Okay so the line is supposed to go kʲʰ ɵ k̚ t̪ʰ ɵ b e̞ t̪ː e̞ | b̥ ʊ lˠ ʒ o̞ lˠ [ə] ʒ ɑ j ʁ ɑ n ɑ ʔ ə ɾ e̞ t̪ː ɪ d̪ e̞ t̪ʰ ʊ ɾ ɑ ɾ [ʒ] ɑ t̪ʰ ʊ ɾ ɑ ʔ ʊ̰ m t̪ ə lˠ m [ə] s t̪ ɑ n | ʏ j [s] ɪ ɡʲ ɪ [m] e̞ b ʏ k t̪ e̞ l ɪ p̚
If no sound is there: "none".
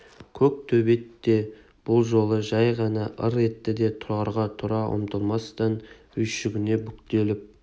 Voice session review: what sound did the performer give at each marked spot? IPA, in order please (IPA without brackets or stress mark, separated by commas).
ə, ʁ, ɑ, ʃ, n